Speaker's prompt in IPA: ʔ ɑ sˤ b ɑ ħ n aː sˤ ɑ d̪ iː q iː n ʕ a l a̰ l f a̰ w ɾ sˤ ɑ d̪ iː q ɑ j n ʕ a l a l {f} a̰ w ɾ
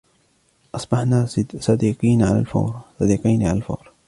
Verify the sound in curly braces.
correct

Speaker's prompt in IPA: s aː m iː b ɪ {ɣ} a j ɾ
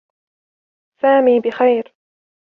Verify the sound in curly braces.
incorrect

